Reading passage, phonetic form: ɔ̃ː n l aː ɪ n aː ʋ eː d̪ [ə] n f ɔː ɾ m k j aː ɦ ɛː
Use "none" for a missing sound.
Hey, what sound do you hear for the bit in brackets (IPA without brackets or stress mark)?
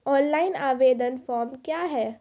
ə